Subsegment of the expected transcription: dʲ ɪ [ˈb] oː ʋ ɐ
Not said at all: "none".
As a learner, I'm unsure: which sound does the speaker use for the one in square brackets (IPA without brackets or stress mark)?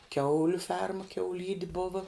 b